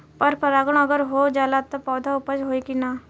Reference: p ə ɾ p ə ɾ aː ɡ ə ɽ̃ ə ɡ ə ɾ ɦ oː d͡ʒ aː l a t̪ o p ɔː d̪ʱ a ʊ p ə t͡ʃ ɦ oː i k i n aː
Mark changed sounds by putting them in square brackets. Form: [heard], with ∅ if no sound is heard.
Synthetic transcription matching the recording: p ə ɾ p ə ɾ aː ɡ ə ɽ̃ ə ɡ ə ɾ ɦ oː d͡ʒ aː l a t̪ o p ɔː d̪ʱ a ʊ p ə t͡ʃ ɦ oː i k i n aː